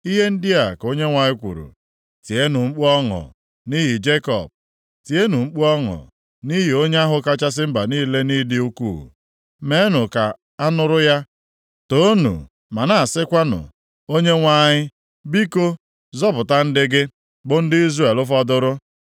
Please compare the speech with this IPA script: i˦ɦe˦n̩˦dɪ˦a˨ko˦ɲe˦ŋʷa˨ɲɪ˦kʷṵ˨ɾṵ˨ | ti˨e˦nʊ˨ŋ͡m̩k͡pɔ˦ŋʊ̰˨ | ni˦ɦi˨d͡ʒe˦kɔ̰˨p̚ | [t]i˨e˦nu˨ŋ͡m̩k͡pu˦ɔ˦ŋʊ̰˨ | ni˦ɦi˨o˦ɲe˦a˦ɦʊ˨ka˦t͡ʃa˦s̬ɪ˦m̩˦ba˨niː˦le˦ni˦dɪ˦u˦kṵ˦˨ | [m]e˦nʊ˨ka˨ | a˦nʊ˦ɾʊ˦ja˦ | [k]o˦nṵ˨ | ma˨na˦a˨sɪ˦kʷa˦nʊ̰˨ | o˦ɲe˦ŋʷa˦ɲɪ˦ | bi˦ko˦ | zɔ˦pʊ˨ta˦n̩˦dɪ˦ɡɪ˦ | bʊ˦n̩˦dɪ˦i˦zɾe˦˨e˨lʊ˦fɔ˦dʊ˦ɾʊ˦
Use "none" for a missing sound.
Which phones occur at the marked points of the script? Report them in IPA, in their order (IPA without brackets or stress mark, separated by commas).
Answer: t, m, t